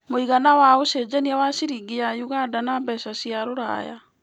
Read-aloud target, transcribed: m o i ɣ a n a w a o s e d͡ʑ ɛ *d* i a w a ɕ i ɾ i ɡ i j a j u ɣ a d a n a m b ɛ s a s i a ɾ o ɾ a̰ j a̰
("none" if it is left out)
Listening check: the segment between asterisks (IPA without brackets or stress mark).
n